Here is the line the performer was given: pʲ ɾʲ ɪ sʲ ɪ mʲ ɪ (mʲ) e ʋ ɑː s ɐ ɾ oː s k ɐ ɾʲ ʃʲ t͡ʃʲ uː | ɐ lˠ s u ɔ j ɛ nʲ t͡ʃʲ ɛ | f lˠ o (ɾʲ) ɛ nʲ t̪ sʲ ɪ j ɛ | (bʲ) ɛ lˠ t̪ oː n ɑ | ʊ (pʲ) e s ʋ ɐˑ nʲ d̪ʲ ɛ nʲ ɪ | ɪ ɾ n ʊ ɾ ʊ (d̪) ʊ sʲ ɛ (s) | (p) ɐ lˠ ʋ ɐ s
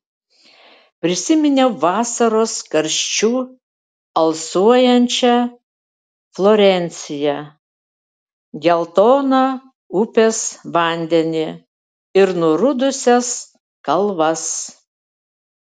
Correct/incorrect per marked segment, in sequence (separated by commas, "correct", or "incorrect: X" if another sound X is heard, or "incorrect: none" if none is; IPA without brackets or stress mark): incorrect: nʲ, correct, incorrect: ɡʲ, correct, correct, correct, incorrect: k